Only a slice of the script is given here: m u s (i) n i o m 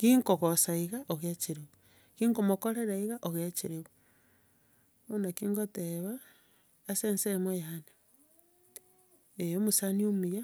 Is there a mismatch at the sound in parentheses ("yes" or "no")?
yes